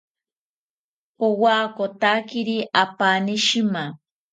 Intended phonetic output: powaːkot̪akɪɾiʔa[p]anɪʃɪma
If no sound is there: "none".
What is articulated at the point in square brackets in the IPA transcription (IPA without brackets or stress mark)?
p